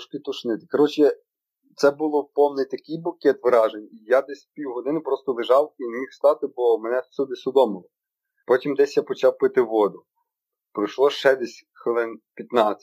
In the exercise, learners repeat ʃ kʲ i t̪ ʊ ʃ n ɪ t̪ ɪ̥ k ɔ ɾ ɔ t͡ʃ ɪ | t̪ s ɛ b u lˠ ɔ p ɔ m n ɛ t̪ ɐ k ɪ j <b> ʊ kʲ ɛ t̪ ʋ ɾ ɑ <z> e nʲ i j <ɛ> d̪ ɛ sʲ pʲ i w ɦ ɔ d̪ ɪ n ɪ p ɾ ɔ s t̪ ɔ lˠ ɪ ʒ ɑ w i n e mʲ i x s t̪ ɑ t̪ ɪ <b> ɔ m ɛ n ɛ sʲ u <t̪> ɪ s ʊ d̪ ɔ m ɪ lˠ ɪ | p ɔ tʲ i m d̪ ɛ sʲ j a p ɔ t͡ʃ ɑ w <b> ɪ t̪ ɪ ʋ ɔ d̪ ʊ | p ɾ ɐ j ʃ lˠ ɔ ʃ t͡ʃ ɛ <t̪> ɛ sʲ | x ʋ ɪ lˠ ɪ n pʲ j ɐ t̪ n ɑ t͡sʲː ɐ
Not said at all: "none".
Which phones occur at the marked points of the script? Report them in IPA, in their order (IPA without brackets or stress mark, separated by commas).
b, ʒ, a, b, d̪, p, d̪